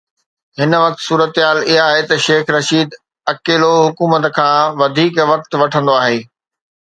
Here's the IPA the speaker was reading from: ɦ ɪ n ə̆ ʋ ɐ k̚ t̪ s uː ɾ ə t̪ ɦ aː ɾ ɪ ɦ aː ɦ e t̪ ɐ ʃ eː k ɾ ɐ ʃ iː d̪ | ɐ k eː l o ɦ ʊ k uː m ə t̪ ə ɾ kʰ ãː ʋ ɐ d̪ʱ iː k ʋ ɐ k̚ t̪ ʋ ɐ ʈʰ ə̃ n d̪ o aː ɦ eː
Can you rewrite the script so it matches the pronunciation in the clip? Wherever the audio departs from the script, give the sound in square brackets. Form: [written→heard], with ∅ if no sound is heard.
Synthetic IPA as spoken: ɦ ɪ n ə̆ ʋ ɐ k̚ t̪ s uː ɾ ə t̪ ɦ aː [ɾ→l] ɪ ɦ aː ɦ e t̪ ɐ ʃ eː [k→x] ɾ ɐ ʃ iː d̪ | ɐ k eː l o ɦ ʊ k uː m ə t̪ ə [ɾ→∅] kʰ ãː ʋ ɐ d̪ʱ iː k ʋ ɐ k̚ t̪ ʋ ɐ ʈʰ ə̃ n d̪ o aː ɦ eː